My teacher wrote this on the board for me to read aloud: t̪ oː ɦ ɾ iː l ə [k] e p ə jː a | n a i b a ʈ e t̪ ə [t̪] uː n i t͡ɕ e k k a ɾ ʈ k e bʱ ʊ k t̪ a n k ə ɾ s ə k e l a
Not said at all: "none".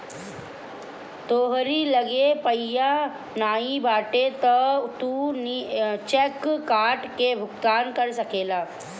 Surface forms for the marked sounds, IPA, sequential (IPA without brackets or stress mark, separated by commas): ɡ, t̪